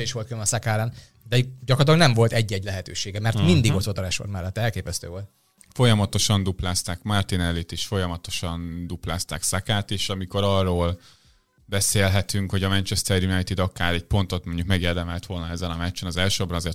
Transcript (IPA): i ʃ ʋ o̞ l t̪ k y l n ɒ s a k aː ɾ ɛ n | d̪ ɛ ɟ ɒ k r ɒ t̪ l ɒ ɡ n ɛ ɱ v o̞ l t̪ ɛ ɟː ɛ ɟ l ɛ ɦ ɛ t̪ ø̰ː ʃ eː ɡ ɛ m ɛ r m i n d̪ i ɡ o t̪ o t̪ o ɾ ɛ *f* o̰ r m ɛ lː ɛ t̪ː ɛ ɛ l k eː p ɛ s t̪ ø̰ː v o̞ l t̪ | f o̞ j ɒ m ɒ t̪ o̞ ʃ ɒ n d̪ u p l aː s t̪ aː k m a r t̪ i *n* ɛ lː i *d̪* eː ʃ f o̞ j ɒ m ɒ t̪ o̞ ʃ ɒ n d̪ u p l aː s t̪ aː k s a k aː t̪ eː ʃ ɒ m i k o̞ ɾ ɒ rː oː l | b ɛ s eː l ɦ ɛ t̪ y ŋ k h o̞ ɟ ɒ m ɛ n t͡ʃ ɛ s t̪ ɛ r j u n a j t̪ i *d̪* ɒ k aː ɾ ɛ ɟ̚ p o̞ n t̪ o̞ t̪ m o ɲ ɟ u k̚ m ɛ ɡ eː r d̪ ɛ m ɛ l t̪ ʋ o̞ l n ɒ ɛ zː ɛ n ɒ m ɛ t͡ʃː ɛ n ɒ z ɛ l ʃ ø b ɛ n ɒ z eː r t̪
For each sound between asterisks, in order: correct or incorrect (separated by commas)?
incorrect, correct, incorrect, correct